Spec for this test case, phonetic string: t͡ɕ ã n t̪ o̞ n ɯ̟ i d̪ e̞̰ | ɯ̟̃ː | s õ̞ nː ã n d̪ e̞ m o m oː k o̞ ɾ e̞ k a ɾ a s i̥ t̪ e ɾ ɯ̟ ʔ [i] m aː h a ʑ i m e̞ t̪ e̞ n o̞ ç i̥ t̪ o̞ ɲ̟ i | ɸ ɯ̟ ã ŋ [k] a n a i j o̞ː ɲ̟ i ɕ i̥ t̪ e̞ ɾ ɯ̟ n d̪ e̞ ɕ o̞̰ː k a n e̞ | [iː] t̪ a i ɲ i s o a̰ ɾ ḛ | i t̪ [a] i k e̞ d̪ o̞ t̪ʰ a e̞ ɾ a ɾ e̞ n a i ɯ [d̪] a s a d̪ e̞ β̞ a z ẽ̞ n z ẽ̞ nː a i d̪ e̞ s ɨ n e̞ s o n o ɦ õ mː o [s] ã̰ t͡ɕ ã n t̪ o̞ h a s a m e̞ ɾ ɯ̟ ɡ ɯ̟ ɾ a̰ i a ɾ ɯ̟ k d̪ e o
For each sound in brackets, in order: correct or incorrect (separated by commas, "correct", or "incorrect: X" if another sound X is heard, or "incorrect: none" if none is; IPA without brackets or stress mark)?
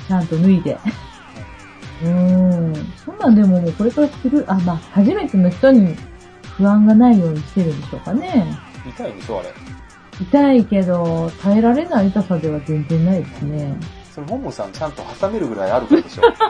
incorrect: a, incorrect: ɡ, incorrect: i, correct, incorrect: t̪, correct